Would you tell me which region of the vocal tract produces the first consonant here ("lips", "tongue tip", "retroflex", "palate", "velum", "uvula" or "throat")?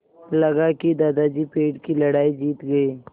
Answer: tongue tip